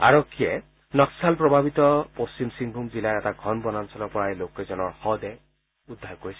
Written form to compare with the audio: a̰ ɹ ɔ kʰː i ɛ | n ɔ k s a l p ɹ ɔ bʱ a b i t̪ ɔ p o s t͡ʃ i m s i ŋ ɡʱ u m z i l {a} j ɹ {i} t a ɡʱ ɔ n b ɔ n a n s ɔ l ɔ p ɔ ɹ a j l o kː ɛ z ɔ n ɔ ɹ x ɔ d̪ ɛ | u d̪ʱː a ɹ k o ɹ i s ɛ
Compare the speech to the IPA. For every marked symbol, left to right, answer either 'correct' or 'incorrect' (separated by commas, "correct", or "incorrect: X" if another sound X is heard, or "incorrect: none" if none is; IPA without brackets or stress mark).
correct, incorrect: ɛ